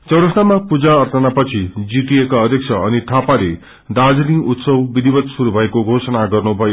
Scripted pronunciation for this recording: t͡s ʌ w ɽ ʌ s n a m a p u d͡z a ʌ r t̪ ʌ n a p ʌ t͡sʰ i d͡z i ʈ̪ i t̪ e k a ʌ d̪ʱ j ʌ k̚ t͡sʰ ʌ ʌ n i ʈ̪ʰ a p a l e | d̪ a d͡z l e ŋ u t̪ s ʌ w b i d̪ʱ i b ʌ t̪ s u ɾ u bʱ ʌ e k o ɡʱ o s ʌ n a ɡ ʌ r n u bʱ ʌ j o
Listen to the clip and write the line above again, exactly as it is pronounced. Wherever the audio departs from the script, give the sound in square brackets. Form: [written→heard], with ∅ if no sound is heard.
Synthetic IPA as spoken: t͡s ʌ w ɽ ʌ s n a m a p u d͡z a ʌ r t̪ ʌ n a p ʌ t͡sʰ i d͡z i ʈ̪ i [t̪→∅] e k a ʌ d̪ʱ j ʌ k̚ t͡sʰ ʌ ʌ n i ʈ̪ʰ a p a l e | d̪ a d͡z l [e→i] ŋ u t̪ s ʌ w b i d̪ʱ i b ʌ t̪ s u ɾ u bʱ ʌ e k o ɡʱ o s ʌ n a ɡ ʌ r n u bʱ ʌ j o